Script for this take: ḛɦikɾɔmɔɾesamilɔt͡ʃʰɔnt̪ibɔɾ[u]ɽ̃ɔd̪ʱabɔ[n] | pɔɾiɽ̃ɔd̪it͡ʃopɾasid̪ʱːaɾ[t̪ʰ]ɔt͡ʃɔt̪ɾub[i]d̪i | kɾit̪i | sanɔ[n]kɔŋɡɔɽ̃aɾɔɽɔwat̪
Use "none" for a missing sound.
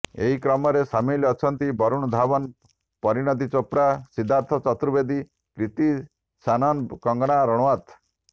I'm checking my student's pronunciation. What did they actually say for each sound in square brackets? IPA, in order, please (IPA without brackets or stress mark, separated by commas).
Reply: u, n, t̪ʰ, e, n